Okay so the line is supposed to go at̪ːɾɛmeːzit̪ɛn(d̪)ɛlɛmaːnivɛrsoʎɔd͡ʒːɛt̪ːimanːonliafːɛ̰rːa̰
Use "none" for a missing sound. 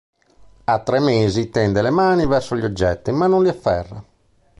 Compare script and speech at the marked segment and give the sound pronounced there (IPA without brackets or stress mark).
d̪